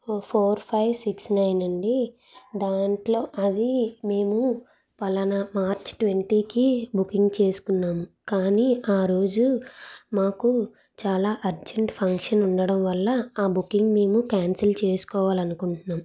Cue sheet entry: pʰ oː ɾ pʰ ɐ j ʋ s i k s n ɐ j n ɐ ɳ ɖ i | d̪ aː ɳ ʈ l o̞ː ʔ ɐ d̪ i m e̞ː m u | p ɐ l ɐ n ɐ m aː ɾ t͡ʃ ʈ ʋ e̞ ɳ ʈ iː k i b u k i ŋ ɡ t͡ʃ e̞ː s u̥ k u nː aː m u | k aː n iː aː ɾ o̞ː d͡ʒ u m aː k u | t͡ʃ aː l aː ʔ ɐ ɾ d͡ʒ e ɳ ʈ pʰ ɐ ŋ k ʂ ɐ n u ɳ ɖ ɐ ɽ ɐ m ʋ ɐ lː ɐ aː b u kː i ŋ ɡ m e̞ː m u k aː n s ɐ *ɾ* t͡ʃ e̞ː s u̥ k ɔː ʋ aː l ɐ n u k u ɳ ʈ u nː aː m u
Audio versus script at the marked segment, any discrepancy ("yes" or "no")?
yes